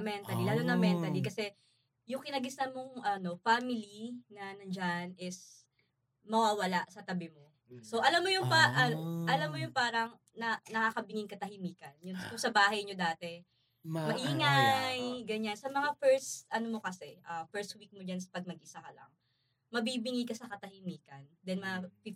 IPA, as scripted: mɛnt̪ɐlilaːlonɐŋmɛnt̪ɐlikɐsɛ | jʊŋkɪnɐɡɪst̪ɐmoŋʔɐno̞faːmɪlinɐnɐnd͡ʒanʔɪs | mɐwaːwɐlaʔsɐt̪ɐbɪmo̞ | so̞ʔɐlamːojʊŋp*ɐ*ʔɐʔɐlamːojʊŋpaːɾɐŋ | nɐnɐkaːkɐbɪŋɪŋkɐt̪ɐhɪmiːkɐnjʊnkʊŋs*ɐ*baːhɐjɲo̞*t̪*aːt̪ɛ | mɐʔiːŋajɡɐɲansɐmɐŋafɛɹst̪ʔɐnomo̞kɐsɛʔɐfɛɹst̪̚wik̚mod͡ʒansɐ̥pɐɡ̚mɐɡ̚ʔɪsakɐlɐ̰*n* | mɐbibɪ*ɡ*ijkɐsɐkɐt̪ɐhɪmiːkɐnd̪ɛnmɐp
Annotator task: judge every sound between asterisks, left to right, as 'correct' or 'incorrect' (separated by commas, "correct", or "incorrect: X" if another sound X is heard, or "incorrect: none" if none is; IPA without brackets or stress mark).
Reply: incorrect: a, correct, incorrect: d̪, incorrect: ŋ, incorrect: ŋ